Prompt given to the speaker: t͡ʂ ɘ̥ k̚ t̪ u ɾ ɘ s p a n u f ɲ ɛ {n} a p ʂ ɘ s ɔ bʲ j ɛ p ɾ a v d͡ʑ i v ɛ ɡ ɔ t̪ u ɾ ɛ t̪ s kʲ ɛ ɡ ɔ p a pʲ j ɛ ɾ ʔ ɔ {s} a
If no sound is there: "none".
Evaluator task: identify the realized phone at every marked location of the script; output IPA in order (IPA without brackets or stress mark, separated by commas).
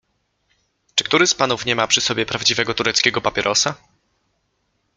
m, s